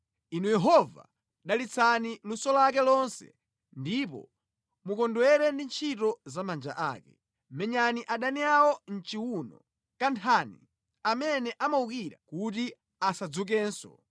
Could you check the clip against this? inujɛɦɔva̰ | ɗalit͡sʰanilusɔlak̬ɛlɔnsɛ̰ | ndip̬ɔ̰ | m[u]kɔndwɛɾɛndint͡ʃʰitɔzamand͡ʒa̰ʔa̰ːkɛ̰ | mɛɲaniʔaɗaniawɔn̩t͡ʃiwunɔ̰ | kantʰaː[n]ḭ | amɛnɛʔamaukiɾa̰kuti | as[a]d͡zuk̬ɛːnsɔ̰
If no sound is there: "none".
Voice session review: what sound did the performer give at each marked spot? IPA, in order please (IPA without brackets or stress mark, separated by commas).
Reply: u, n, a